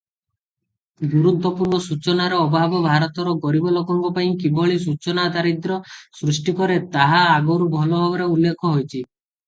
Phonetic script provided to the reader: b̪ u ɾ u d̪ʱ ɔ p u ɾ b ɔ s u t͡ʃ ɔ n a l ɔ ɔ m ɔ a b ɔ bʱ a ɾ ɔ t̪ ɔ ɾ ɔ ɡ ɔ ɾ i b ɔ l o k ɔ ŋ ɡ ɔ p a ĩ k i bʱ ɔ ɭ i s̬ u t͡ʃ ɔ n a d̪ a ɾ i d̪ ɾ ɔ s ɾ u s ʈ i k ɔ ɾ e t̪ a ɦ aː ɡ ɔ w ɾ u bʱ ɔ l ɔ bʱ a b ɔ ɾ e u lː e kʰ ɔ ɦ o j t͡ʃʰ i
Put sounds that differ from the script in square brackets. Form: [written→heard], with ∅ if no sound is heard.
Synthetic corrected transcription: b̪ u ɾ u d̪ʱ ɔ p u ɾ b ɔ s u t͡ʃ ɔ n a [l→ɾ] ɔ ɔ [m→b] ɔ a b ɔ bʱ a ɾ ɔ t̪ ɔ ɾ ɔ ɡ ɔ ɾ i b ɔ l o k ɔ ŋ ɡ ɔ p a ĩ k i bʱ ɔ ɭ i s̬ u t͡ʃ ɔ n a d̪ a ɾ i d̪ ɾ ɔ s ɾ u s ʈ i k ɔ ɾ e t̪ a ɦ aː ɡ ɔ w ɾ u bʱ ɔ l ɔ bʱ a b ɔ ɾ e u lː e kʰ ɔ ɦ o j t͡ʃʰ i